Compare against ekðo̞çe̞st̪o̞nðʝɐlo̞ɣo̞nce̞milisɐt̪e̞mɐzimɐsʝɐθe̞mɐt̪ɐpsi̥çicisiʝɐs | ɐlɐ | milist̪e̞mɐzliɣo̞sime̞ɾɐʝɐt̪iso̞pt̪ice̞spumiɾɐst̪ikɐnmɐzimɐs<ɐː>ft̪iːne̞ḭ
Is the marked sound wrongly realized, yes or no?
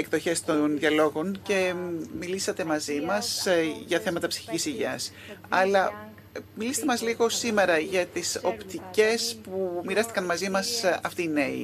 yes